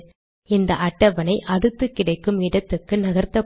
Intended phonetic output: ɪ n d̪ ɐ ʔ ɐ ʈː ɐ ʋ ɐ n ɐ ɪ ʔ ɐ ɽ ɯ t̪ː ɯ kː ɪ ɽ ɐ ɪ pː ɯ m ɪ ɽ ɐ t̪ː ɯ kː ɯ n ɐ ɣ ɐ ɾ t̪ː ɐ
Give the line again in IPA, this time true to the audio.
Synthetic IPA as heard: ɪ n d̪ ɐ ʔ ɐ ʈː ɐ ʋ ɐ n ɐ ɪ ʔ ɐ ɽ ɯ t̪ː ɯ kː ɪ ɽ ɐ ɪ kː ɯ m ɪ ɽ ɐ t̪ː ɯ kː ɯ n ɐ ɣ ɐ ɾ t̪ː ɐ

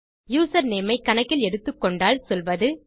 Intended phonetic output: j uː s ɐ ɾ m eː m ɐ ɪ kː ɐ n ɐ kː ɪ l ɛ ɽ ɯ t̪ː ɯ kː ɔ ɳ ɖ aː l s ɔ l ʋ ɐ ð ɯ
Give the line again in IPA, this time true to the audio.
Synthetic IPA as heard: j uː s ɐ ɾ n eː m ɐ ɪ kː ɐ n ɐ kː ɪ l ɛ ɽ ɯ t̪ː ɯ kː ɔ ɳ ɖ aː l s ɔ l ʋ ɐ ð ɯ

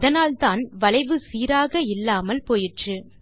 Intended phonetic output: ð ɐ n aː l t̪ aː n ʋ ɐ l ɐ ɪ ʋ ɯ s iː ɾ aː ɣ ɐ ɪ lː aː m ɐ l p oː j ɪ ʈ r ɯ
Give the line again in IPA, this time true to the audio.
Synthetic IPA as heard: ð ɐ n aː l t̪ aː n ʋ ɐ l ɐ ɪ ʋ ɯ s iː ɾ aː ɣ ɐ ɪ lː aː m ɐ l p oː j ɪ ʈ r ɯ

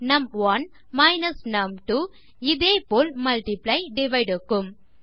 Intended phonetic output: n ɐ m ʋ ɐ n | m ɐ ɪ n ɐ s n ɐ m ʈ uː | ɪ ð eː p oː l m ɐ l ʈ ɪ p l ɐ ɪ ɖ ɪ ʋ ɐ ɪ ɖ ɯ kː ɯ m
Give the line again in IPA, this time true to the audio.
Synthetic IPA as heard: n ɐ m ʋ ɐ n | m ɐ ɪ n ɐ s n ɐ m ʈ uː | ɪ ð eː p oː l m ɐ l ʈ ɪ p l ɐ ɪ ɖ ɪ ʋ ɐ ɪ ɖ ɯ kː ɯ m

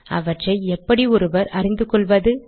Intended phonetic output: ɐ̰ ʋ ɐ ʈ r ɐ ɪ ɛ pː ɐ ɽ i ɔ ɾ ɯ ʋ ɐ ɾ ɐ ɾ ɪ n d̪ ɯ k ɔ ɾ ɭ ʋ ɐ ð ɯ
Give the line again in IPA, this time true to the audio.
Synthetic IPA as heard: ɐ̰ ʋ ɐ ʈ r ɐ ɪ ɛ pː ɐ ɽ i ɔ ɾ ɯ ʋ ɐ ɾ ɐ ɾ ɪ n d̪ ɯ k ɔ ɭ ʋ ɐ ð ɯ

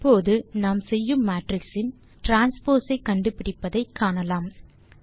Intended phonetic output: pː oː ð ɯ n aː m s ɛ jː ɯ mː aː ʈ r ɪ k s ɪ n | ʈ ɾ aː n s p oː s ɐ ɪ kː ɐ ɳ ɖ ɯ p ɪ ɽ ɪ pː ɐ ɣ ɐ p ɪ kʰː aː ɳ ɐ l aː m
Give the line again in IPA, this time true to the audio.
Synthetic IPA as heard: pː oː ð ɯ n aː m s ɛ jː ɯ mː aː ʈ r ɪ k s ɪ n | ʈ ɾ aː n s p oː s ɐ ɪ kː ɐ ɳ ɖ ɯ p ɪ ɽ ɪ pː ɐ ð ɐ ɪ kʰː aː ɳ ɐ l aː m

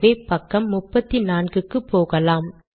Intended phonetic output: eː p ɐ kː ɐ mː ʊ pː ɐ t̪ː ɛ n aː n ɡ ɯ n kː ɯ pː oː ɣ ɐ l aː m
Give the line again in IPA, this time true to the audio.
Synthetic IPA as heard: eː p ɐ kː ɐ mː ʊ pː ɐ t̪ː i n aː n ɡ ɯ kː ɯ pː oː ɣ ɐ l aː m

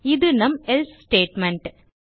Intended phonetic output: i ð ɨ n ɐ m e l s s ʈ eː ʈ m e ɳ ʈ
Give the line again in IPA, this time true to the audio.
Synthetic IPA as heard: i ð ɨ n ɐ m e l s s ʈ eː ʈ m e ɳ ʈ

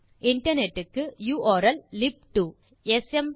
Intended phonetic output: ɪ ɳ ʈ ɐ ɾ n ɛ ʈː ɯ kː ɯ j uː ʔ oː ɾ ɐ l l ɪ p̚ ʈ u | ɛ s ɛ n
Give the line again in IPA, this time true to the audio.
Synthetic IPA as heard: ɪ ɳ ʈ ɐ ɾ n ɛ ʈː ɯ kː ɯ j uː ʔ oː ɾ ɐ l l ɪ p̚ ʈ u | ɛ s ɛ m

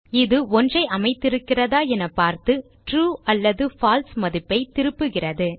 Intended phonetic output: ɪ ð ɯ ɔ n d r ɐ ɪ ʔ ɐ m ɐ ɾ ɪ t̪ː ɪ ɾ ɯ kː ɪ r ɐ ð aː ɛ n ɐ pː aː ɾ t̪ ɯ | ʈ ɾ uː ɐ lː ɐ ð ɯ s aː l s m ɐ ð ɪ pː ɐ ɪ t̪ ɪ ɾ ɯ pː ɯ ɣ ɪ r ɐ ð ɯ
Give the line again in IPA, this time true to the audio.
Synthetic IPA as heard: ɪ ð ɯ ɔ n d r ɐ ɪ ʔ ɐ m ɐ ɪ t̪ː ɪ ɾ ɯ kː ɪ r ɐ ð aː ɛ n ɐ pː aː ɾ t̪ ɯ | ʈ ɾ uː ɐ lː ɐ ð ɯ f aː l s m ɐ ð ɪ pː ɐ ɪ t̪ ɪ ɾ ɯ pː ɯ ɣ ɪ r ɐ ð ɯ

